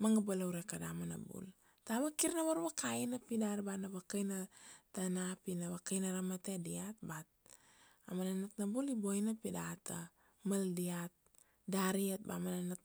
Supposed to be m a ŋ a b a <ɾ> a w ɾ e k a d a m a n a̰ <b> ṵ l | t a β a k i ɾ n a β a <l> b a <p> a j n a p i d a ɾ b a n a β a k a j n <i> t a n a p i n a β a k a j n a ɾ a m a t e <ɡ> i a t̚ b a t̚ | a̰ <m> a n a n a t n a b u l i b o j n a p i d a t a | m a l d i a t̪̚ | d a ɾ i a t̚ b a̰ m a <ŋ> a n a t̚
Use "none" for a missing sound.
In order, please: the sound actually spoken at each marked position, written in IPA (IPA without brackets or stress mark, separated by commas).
l, b, ɾ, k, a, d, m, n